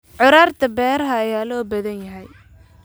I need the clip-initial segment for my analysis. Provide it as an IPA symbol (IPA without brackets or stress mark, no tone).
ʕ